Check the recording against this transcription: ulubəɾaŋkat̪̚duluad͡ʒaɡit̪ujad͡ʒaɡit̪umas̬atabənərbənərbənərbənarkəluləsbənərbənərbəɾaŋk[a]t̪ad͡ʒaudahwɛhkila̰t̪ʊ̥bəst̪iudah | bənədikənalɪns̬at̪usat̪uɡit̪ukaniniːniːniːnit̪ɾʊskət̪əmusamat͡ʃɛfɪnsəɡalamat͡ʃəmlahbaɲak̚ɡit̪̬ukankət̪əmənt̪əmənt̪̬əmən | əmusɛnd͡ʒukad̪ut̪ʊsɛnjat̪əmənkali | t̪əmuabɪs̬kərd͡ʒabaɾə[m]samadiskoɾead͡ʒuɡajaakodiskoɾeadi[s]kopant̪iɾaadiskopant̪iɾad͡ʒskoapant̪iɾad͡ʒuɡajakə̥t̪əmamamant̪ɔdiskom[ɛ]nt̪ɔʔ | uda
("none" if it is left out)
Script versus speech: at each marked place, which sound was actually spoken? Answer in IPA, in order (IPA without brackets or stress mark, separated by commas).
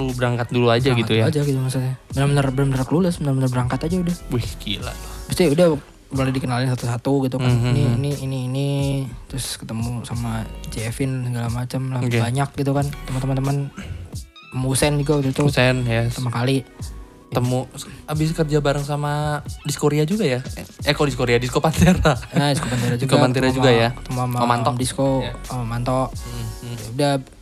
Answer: a, ŋ, s, a